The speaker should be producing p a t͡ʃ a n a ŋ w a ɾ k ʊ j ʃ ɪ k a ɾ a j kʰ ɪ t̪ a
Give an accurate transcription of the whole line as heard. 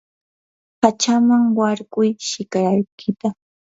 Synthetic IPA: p a t͡ʃ a m a ŋ w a ɾ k ʊ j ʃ ɪ k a ɾ a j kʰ ɪ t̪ a